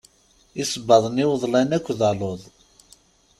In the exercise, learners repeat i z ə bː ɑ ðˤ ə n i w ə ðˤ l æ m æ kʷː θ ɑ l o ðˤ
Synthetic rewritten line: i s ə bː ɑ ðˤ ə n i w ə ðˤ l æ n æ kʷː ð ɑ l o ðˤ